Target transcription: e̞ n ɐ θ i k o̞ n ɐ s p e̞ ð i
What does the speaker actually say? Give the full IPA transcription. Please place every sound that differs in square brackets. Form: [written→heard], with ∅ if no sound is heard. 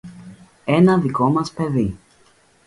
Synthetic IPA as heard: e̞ n ɐ [θ→ð] i k o̞ [n→m] ɐ s p e̞ ð i